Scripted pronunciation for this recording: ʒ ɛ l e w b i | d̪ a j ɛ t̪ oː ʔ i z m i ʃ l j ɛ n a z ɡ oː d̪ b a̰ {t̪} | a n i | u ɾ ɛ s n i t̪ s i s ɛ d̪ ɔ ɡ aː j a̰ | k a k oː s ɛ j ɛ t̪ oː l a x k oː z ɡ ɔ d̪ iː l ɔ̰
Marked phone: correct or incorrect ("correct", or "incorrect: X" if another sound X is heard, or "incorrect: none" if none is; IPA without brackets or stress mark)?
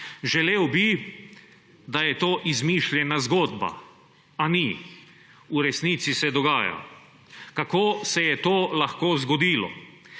incorrect: none